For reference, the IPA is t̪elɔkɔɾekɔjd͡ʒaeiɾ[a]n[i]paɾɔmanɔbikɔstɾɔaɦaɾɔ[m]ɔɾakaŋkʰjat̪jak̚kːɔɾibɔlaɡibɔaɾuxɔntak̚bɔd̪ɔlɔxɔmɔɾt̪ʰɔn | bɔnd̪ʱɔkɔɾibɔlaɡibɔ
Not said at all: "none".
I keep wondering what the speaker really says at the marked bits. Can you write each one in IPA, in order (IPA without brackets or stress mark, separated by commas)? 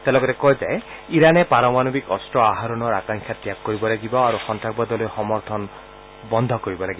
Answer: a, e, n